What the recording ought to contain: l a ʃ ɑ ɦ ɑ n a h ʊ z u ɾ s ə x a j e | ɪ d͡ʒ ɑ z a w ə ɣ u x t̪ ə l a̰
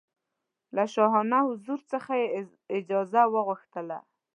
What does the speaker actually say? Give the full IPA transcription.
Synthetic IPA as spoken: l a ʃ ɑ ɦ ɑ n a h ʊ z u ɾ t͡s ə x a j e | ɪ d͡ʒ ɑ z a w ə ɣ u x t̪ ə l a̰